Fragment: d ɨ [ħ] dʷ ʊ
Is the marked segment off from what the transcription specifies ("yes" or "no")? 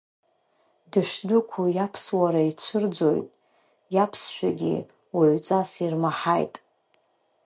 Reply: yes